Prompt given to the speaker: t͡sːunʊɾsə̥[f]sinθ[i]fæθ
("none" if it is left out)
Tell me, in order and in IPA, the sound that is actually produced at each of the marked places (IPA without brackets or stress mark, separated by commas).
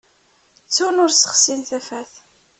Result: χ, æ